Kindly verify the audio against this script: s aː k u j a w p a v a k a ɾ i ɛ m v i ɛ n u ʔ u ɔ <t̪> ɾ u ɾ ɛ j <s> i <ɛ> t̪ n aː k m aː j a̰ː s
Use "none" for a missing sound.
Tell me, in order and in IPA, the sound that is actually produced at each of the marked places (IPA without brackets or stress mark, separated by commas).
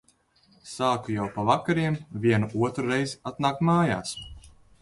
t̪, z, a